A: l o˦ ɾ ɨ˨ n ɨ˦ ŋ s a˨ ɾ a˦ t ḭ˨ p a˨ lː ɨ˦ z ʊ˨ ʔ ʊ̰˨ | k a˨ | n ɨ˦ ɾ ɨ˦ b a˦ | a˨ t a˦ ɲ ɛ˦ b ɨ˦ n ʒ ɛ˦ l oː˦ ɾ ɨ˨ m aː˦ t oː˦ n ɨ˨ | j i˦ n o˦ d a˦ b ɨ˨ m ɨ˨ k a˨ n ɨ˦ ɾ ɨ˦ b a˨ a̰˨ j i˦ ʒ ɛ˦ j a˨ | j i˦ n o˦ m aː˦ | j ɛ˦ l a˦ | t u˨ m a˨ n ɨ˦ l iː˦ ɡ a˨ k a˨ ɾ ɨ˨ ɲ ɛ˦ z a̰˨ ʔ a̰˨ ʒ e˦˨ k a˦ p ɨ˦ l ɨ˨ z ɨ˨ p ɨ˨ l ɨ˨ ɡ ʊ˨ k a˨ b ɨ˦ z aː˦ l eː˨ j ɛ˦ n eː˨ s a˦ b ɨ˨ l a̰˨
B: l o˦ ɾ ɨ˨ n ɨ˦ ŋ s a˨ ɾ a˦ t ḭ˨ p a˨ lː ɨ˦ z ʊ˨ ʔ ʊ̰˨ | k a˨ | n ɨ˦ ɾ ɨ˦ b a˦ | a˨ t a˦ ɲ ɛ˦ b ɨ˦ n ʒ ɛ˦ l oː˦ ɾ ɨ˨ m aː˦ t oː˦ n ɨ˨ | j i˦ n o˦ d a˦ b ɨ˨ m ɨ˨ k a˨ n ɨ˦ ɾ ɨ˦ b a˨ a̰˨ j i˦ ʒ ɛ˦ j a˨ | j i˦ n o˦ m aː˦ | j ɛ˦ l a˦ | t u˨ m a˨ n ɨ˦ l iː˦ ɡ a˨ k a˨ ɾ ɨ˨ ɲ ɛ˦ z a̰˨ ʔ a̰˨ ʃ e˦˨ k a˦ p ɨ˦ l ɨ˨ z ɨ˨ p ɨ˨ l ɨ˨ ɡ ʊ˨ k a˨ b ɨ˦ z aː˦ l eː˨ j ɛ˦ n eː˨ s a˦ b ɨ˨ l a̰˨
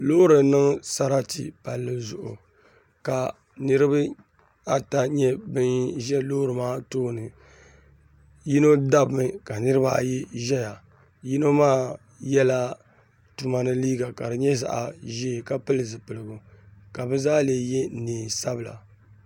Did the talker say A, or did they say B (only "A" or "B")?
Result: A